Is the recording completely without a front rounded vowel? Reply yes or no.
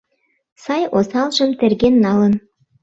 yes